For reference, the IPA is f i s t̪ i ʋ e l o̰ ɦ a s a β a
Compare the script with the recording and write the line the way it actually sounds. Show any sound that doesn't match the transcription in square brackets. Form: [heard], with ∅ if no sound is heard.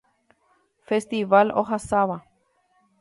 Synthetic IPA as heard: f [e] s t̪ i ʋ [a] l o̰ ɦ a s a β a